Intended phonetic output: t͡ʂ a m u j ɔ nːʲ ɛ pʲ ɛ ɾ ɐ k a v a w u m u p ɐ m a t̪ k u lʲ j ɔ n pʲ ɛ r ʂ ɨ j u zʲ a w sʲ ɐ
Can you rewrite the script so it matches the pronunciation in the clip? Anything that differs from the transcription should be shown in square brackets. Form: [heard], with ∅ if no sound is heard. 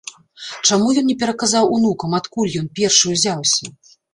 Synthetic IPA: t͡ʂ a m u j ɔ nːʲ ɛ pʲ ɛ ɾ ɐ k a [z] a w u [n] u [k] ɐ m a t̪ k u lʲ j ɔ n pʲ ɛ r ʂ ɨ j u zʲ a w sʲ ɐ